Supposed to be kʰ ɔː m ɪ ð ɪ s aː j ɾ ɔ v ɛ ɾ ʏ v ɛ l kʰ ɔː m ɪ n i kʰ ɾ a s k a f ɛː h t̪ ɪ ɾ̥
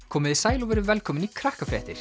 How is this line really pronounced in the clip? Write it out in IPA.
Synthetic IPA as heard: kʰ ɔː m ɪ ð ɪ s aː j l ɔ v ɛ ɾ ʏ v ɛ l kʰ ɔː m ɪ n i kʰ ɾ a h k a f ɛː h t̪ ɪ ɾ̥